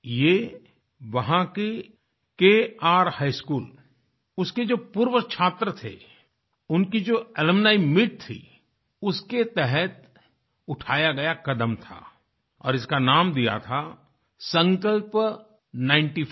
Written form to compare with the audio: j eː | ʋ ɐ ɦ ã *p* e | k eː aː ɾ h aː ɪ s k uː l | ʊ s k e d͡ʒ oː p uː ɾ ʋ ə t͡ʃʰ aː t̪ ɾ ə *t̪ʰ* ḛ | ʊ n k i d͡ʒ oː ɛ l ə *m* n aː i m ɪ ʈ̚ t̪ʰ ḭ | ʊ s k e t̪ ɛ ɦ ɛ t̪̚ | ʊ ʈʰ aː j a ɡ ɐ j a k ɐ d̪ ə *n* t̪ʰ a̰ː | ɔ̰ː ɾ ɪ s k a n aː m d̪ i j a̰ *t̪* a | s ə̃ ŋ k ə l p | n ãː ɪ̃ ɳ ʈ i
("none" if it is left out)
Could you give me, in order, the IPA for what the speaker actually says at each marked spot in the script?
k, t̪ʰ, m, m, t̪ʰ

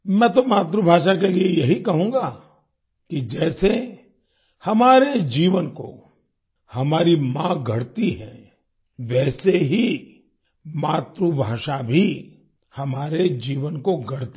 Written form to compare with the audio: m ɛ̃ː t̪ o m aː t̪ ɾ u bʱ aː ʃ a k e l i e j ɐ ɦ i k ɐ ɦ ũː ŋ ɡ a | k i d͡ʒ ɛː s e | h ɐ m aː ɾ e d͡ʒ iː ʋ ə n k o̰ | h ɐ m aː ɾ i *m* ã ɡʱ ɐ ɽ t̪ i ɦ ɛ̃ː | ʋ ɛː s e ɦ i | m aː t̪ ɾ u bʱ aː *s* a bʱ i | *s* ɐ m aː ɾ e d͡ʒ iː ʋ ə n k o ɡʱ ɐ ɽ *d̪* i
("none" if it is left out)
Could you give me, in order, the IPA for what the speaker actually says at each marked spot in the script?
m, ʃ, h, t̪

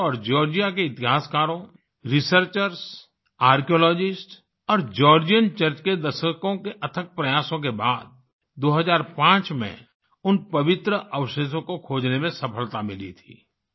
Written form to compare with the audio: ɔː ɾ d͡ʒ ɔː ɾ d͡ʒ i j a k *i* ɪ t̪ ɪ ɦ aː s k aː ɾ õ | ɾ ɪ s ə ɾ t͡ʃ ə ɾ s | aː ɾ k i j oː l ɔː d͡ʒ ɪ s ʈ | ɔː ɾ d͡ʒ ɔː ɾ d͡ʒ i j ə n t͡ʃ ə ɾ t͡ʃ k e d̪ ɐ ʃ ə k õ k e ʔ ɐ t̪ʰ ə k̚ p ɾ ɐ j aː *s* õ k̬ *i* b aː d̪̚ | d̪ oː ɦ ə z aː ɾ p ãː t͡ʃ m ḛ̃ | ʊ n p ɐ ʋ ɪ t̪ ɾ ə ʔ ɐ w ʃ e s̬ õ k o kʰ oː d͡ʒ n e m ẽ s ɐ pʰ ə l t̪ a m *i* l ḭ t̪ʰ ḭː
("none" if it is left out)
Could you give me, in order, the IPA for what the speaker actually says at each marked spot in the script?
e, s, e, ɪ

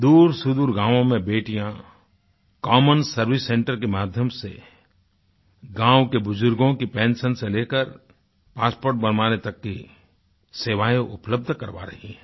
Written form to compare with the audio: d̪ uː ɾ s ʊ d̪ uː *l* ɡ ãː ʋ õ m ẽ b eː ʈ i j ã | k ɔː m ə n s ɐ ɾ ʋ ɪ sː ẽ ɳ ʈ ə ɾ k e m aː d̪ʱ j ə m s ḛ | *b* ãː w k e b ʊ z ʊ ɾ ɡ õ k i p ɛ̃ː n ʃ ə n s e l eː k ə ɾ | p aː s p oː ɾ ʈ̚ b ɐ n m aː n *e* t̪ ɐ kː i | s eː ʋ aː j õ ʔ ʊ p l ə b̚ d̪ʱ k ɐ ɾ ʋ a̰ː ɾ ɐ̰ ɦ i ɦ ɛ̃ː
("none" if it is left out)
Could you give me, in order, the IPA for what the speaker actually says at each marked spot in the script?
ɾ, ɡ, e

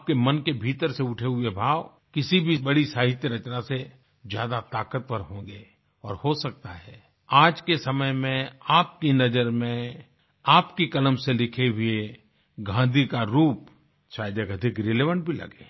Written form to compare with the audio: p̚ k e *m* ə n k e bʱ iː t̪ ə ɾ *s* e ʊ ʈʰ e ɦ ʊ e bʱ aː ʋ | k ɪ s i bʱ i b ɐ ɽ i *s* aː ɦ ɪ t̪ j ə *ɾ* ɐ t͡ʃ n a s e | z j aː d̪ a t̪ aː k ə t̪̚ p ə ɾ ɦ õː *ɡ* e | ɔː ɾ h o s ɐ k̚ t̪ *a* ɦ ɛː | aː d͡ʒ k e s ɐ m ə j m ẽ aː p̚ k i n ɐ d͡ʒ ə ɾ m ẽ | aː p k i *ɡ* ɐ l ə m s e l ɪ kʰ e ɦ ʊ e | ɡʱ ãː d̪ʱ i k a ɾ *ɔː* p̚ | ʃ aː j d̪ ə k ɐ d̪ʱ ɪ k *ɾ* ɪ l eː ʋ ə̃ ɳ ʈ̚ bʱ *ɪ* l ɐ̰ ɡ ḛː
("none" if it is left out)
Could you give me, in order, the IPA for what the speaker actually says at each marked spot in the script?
m, s, s, ɾ, ɡ, a, k, uː, ɾ, i

